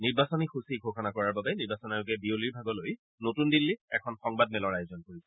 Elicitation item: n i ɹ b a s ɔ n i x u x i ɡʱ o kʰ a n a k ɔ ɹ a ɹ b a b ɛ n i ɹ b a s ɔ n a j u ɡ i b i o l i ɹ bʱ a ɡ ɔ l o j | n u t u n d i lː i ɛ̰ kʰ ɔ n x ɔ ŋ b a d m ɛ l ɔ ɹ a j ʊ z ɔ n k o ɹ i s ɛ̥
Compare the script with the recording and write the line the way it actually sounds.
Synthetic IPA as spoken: n i ɹ b a s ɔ n i x u s i ɡʱ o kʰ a n a k ɔ ɹ a ɹ b a b ɛ n i ɹ b a s ɔ n a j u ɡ ɛ b i o l i ɹ bʱ a ɡ ɔ l o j | n o t u n d i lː i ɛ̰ kʰ ɔ n x ɔ ŋ b a d m ɛ l ɔ ɹ a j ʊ z ɔ n k o ɹ i s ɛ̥